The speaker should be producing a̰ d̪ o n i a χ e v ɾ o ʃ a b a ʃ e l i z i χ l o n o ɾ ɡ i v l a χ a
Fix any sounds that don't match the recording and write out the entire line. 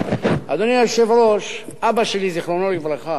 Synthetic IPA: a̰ d̪ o n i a ʃ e v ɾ o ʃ a b a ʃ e l i z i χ l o n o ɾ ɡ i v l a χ a